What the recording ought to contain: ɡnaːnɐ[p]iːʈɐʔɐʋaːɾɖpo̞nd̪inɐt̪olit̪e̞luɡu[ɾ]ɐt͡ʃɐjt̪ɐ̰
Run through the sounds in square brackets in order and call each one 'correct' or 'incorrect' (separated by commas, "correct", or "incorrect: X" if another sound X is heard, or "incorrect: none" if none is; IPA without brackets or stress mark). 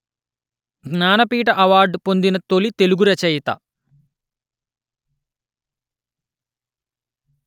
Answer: correct, correct